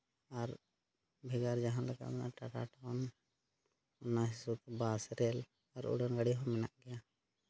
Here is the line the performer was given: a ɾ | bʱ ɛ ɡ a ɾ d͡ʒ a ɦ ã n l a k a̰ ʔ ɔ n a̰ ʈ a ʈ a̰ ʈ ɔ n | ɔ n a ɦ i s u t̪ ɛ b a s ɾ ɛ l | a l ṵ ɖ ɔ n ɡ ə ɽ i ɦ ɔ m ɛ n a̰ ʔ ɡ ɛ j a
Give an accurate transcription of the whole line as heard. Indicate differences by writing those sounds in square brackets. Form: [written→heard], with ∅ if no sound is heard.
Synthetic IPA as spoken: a ɾ | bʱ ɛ ɡ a ɾ d͡ʒ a ɦ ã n l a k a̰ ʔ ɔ n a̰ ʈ a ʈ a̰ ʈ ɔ n | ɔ n a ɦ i s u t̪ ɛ b a s ɾ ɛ l | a [l→ɾ] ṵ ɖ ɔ n ɡ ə ɽ i ɦ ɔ m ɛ n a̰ ʔ ɡ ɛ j a